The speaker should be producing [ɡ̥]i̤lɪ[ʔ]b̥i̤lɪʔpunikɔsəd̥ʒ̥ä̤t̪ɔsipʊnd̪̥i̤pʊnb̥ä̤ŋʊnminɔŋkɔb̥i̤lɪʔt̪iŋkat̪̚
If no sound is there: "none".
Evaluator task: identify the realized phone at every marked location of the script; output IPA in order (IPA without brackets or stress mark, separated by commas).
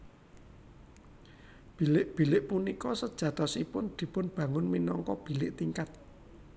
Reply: b̥, ʔ